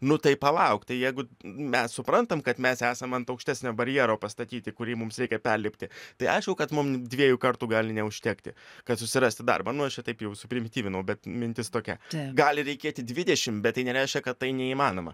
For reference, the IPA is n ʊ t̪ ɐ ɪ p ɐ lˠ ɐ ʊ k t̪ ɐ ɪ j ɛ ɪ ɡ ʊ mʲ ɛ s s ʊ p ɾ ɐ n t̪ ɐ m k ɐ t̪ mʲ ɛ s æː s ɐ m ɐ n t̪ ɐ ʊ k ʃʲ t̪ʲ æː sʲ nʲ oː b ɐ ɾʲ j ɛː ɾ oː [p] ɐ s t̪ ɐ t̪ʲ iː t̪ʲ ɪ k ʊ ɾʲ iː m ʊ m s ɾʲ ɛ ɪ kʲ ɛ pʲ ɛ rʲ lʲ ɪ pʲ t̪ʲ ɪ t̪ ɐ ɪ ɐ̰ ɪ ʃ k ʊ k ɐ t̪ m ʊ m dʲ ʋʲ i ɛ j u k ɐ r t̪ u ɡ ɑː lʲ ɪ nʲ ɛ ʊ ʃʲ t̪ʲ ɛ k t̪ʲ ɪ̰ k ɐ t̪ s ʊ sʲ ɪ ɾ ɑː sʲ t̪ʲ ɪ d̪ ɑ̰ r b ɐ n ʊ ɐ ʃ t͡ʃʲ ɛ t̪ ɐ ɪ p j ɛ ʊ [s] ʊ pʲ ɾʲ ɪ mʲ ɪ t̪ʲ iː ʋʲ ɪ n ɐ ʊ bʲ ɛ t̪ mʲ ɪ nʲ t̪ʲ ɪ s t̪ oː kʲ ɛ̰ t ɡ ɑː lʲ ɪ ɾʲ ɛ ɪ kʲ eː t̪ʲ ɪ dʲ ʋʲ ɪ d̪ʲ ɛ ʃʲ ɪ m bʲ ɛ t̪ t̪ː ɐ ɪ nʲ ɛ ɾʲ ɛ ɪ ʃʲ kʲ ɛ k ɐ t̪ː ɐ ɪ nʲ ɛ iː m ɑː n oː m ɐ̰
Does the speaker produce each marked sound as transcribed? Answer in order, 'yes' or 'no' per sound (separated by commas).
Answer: yes, yes